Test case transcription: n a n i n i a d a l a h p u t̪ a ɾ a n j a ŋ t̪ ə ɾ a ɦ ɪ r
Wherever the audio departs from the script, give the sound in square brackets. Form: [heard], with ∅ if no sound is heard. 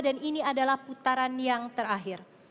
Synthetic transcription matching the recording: [d] a n i n i a d a l a h p u t̪ a ɾ a n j a ŋ t̪ ə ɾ a ɦ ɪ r